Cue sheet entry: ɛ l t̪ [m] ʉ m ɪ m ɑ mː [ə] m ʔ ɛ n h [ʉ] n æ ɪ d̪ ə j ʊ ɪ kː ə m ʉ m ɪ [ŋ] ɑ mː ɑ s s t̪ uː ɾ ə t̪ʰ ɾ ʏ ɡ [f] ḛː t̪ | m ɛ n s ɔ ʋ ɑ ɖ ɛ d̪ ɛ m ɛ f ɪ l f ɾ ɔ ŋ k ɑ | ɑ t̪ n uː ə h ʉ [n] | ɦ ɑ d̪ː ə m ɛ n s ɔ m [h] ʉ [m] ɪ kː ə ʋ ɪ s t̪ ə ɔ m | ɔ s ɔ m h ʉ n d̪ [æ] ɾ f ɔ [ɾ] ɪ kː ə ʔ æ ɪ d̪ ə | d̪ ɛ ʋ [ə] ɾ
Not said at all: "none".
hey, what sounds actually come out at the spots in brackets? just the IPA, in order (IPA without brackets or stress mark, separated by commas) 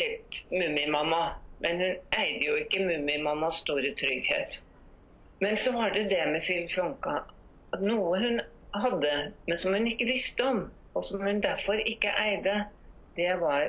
m, ɑ, ʉ, m, h, n, h, n, æ, ɾ, ɑ